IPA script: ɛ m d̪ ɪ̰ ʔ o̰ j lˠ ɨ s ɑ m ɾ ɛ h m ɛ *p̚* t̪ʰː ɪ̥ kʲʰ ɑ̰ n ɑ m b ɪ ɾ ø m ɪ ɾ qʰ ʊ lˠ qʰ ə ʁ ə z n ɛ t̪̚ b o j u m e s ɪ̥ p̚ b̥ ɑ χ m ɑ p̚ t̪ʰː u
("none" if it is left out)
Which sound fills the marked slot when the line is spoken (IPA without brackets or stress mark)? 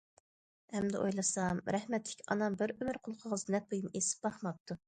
none